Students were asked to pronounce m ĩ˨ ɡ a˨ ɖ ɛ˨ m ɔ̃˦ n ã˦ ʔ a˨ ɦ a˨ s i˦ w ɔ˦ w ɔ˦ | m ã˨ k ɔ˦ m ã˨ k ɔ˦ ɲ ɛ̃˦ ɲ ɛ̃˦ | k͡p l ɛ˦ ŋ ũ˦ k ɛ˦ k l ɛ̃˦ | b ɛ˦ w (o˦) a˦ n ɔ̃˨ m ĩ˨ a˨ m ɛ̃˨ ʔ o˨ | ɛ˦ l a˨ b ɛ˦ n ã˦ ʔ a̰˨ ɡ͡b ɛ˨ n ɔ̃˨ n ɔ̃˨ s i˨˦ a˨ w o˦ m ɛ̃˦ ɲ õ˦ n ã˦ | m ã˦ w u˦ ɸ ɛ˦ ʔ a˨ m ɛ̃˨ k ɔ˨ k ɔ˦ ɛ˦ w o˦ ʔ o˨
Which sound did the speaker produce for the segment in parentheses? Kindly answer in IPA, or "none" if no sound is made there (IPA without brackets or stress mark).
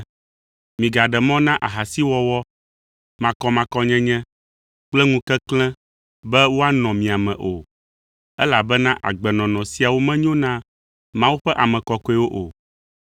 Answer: o˦